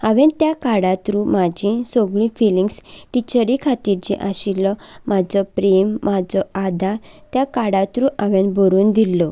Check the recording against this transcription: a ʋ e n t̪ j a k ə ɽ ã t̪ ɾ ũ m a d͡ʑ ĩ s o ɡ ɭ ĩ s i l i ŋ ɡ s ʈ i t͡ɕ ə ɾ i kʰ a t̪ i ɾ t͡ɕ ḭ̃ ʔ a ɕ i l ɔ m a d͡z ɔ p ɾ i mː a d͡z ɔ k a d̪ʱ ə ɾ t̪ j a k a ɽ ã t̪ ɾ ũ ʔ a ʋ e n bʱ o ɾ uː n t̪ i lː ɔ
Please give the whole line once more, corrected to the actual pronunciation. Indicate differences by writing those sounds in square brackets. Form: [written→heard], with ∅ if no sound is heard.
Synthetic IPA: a ʋ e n t̪ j a k [ə→a] ɽ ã t̪ ɾ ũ m a d͡ʑ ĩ s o ɡ ɭ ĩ [s→f] i l i ŋ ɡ s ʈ i t͡ɕ ə ɾ i kʰ a t̪ i ɾ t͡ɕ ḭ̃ ʔ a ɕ i l ɔ m a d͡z ɔ p ɾ [i→e] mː a d͡z ɔ [k→∅] a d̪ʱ [ə→a] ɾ t̪ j a k a ɽ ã t̪ ɾ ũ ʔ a ʋ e n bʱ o ɾ uː n [t̪→d̪] i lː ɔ